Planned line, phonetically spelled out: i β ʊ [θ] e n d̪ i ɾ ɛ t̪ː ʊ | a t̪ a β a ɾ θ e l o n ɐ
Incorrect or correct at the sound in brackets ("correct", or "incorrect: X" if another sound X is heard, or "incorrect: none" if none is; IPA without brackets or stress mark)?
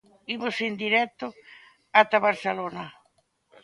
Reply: incorrect: s